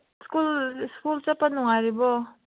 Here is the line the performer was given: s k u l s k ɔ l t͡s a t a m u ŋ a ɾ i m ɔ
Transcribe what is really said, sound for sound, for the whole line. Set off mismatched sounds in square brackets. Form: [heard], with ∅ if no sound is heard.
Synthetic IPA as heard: s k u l s k [u] l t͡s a [p] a [n] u ŋ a ɾ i [b] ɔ